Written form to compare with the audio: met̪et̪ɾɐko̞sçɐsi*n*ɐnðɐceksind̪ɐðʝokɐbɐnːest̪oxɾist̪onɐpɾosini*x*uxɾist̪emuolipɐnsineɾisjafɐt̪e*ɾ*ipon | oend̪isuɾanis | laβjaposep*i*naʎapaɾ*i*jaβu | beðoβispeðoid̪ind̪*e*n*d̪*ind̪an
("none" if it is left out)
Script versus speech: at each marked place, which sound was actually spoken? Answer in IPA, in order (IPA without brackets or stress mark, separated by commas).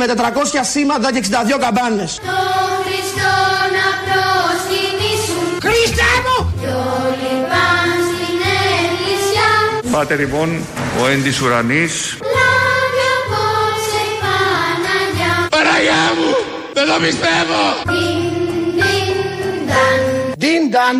m, s, l, a, a, a, d̪